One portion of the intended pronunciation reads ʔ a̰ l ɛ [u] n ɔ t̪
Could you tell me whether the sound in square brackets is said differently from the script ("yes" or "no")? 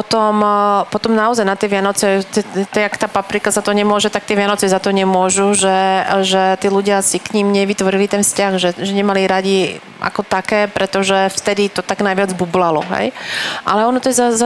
yes